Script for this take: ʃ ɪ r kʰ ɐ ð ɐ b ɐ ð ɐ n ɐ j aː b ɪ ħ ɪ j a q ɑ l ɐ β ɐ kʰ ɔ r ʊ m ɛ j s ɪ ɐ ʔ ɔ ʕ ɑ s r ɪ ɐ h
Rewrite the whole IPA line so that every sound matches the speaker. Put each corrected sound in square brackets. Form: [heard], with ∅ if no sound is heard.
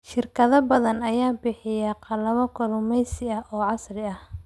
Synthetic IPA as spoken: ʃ ɪ r kʰ ɐ ð ɐ b ɐ ð ɐ n ɐ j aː b ɪ ħ ɪ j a q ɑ l ɐ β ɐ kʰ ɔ [l] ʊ m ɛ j s ɪ ɐ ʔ [ɔː] ʕ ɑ s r ɪ ɐ h

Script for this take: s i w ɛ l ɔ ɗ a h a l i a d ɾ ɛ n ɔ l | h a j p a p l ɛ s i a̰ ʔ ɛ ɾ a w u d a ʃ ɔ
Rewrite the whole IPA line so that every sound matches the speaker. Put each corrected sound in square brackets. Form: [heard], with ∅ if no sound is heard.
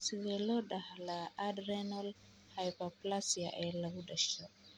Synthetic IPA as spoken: s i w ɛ l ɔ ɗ a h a l [a] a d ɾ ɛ n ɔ l | h a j p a p l [a] s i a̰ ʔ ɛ [l] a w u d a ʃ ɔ

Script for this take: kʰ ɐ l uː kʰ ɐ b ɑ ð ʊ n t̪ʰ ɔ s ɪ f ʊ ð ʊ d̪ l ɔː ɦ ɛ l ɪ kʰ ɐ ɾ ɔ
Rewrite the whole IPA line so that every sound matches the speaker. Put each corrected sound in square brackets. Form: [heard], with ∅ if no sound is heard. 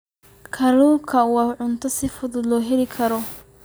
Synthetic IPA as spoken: kʰ ɐ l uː kʰ ɐ [w] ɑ [ʕ] ʊ n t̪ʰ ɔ s ɪ f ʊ ð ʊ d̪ l ɔː ɦ ɛ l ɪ kʰ ɐ ɾ ɔ

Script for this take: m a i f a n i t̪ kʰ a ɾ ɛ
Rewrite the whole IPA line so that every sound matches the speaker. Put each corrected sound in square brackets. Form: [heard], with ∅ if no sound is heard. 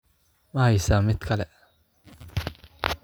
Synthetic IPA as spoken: m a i [s] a [m] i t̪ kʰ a [l] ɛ

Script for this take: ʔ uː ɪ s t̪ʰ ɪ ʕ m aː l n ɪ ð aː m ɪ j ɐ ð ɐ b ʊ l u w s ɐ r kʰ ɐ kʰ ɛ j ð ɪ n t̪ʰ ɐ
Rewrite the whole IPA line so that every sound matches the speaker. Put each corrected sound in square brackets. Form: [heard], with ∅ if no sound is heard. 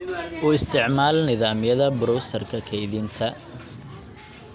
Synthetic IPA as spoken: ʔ uː ɪ s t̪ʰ ɪ ʕ m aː l n ɪ ð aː m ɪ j ɐ ð ɐ b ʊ [ɾ] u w s ɐ r kʰ ɐ kʰ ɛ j ð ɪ n t̪ʰ ɐ

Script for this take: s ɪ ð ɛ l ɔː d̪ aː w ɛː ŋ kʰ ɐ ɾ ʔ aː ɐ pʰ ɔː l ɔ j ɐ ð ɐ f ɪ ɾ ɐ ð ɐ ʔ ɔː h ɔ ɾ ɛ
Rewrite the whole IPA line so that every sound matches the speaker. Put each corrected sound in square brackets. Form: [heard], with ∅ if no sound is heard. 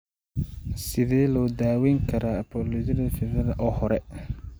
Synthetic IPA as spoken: s ɪ ð [ɛː] l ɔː d̪ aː w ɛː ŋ kʰ ɐ ɾ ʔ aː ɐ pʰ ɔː l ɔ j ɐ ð ɐ f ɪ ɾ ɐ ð ɐ ʔ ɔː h ɔ ɾ ɛ

